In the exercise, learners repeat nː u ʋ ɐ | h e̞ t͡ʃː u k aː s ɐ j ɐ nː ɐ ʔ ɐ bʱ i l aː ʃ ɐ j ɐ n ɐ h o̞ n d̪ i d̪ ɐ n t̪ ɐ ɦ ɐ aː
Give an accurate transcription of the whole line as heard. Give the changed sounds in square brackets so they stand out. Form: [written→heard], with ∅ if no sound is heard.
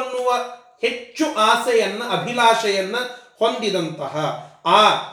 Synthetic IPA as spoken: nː u ʋ ɐ | h e̞ t͡ʃː u [k→ʔ] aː s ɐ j ɐ nː ɐ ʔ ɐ bʱ i l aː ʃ ɐ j ɐ [n→nː] ɐ h o̞ n d̪ i d̪ ɐ n t̪ ɐ ɦ ɐ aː